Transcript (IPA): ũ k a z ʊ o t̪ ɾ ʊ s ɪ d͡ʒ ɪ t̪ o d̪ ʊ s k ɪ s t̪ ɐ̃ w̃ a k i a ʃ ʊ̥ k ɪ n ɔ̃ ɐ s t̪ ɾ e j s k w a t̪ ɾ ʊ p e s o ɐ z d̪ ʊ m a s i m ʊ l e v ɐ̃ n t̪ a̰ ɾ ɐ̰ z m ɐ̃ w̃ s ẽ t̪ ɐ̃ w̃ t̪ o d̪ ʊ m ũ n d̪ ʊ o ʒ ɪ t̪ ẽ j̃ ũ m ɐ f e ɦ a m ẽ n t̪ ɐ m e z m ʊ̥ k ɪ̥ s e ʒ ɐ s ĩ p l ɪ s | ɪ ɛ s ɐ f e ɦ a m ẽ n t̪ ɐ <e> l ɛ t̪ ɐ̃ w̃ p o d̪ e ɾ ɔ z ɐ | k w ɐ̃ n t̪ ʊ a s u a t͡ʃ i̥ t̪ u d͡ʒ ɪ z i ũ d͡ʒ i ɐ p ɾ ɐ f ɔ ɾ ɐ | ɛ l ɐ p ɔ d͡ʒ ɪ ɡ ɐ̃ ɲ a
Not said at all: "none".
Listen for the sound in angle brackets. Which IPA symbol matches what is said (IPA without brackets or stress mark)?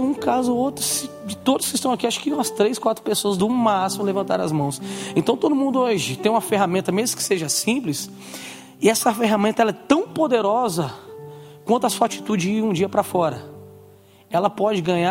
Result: ɛ